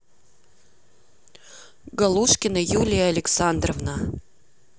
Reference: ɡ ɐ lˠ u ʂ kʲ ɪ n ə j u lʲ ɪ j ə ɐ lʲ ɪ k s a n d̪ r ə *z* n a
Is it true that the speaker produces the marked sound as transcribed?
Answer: no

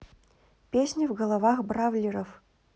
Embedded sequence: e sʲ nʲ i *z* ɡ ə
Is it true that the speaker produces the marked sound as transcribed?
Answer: no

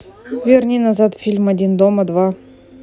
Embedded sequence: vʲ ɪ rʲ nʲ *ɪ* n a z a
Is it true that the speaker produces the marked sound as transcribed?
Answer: no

